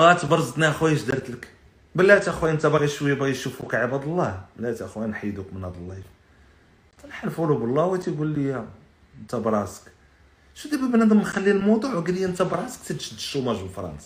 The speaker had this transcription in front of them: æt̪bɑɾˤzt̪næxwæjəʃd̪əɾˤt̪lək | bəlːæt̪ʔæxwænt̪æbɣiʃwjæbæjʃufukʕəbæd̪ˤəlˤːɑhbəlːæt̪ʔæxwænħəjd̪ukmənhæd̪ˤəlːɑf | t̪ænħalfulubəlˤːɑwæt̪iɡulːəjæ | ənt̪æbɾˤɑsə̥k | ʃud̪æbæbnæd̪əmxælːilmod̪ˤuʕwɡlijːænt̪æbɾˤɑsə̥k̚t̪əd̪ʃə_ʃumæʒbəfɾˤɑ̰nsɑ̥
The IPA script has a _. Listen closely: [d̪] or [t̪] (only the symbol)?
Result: d̪